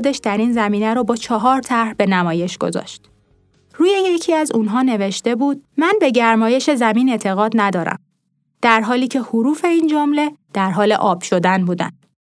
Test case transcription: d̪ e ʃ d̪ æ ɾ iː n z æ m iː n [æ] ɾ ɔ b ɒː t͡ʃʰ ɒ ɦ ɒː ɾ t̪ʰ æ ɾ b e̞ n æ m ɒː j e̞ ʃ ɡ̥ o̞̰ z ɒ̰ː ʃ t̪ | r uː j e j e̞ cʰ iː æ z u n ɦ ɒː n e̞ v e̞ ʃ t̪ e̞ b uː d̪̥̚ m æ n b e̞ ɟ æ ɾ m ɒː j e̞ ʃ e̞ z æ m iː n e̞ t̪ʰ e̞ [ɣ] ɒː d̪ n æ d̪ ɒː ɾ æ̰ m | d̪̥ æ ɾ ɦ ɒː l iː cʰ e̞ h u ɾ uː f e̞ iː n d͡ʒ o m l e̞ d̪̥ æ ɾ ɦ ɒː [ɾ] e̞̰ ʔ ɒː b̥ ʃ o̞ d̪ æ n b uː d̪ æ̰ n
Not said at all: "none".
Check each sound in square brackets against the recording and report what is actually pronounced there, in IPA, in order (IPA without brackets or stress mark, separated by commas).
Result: æ, ɣ, l